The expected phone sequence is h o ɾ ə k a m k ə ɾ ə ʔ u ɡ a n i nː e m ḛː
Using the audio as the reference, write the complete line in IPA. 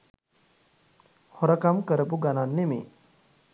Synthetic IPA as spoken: h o ɾ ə k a m k ə ɾ ə p u ɡ a n a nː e m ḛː